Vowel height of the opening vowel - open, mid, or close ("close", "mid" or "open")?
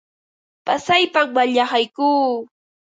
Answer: open